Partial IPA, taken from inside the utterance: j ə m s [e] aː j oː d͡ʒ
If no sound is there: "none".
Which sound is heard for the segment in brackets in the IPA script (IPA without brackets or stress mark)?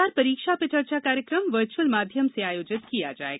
e